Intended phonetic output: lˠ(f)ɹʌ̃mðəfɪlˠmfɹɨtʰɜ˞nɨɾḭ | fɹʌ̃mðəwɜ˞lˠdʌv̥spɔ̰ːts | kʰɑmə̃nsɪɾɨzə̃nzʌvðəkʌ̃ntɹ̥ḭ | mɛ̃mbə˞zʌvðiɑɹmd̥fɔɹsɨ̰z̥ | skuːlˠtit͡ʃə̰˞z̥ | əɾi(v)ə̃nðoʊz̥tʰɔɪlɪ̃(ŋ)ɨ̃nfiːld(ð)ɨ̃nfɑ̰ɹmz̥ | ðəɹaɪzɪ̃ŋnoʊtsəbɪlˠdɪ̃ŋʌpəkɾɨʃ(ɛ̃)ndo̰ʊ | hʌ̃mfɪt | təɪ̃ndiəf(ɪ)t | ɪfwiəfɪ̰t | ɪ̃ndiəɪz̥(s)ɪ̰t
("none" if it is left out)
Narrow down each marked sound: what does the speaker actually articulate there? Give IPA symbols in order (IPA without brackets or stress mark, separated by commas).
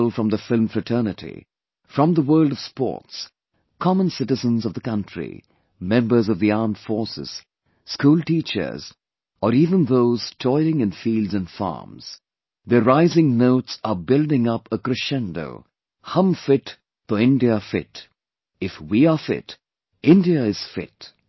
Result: f, v, ŋ, z, ɛ̃, ɪ, f